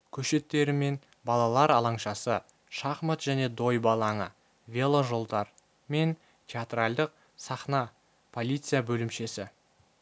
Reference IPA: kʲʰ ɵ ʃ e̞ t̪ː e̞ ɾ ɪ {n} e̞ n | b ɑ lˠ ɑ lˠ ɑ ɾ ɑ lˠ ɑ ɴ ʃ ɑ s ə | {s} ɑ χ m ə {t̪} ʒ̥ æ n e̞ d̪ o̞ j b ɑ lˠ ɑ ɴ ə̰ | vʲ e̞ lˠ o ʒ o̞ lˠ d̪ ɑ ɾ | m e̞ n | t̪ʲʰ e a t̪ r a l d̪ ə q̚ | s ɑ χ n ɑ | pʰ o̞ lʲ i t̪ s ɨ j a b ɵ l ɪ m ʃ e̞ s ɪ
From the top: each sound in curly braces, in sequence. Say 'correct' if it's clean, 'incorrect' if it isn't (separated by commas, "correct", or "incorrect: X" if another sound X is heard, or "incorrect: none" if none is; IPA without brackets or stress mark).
incorrect: m, incorrect: ʃ, correct